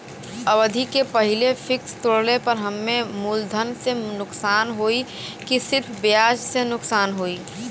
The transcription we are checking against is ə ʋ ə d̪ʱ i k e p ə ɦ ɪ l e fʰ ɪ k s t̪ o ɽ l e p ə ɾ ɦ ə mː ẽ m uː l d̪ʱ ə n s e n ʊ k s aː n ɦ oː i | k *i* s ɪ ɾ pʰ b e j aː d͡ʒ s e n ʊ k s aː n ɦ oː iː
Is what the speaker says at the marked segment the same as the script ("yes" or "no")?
yes